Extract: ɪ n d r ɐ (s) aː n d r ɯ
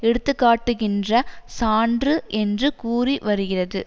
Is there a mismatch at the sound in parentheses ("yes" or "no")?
no